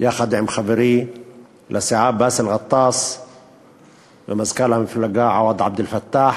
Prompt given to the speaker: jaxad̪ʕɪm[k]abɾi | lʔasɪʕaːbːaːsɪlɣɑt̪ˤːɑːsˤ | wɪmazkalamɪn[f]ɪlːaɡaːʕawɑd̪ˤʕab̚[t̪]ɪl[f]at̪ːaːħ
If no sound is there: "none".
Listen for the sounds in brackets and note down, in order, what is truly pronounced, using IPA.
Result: x, f, d̪, f

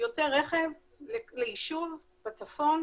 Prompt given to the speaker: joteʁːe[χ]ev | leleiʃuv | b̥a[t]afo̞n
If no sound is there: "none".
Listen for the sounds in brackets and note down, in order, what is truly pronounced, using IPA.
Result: χ, t͡s

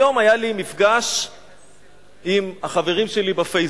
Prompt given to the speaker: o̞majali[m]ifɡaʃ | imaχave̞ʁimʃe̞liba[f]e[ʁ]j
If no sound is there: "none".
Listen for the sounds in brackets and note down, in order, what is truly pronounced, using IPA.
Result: m, f, none

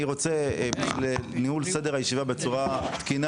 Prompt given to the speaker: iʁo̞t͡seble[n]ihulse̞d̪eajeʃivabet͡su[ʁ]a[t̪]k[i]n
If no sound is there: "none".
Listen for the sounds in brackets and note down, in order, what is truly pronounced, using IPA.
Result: n, ʁ, t̪, i

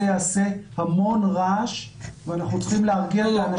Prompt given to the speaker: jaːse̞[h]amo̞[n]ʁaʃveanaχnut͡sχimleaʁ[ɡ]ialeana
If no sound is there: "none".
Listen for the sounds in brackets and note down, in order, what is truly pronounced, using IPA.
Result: h, n, ɡ

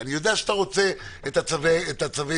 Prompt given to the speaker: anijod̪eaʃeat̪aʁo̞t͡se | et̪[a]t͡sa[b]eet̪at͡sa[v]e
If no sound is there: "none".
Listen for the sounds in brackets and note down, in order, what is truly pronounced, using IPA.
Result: a, v, v

